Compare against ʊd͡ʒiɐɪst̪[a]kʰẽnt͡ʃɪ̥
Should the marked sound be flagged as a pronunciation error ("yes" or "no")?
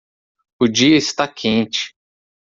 no